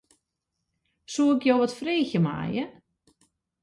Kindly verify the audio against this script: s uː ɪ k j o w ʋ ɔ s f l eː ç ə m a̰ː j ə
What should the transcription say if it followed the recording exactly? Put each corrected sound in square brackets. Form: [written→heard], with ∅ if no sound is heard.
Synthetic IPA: s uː ɪ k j o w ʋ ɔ [s→t] f [l→r] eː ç ə m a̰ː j ə